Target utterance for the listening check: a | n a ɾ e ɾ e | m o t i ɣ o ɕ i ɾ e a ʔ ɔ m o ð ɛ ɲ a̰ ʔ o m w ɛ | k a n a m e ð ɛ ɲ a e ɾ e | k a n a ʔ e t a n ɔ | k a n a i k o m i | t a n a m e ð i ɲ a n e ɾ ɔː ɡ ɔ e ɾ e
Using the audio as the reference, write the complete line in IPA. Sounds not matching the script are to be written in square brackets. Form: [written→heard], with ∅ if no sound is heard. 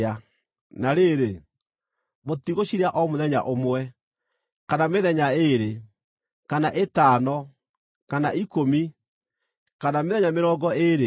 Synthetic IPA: a | n a ɾ e ɾ e | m o t i ɣ o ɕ i ɾ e a ʔ ɔ m o ð ɛ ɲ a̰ ʔ o m w ɛ | k a n a m e ð ɛ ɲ a e ɾ e | k a n a ʔ e t a n ɔ | k a n a i k o m i | [t→k] a n a m e ð [i→ɛ] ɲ a [n→m] e ɾ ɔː ɡ ɔ e ɾ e